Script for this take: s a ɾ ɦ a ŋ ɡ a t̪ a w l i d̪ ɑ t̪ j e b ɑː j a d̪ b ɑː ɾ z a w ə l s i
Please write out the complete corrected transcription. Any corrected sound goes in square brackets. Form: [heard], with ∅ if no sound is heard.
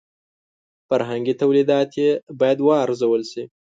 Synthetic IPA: [f] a ɾ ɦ a ŋ ɡ [i] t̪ a w l i d̪ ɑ t̪ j e b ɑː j a d̪ [w] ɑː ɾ z a w ə l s i